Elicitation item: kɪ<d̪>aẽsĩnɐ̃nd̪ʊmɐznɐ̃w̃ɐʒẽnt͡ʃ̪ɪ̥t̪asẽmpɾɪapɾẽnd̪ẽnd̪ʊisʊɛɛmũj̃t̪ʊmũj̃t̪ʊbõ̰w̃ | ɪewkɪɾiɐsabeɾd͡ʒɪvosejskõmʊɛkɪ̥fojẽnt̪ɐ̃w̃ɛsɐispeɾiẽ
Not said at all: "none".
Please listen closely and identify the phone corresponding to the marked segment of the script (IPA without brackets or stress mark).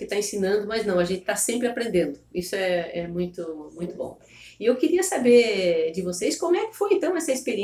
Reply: t̪